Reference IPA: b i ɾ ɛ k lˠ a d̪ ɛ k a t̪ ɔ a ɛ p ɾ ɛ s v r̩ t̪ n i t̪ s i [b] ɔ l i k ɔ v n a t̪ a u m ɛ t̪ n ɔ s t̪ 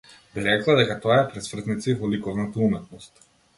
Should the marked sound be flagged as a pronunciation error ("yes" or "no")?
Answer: yes